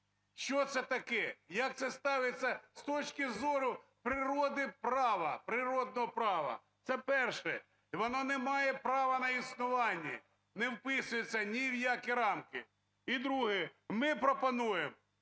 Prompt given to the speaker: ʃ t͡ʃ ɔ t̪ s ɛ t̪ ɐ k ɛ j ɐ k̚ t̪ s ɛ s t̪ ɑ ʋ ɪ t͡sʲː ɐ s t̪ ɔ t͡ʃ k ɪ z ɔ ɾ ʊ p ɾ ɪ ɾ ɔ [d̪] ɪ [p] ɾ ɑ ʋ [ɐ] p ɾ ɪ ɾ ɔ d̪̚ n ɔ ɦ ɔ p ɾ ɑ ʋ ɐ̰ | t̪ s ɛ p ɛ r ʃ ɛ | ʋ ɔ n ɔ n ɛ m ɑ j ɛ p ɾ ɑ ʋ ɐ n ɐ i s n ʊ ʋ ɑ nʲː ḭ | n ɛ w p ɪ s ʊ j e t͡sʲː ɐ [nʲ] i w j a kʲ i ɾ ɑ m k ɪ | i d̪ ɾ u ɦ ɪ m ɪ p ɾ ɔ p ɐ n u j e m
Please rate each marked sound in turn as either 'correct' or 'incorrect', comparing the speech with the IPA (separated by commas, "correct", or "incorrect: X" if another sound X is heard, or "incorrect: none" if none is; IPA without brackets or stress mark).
correct, correct, correct, correct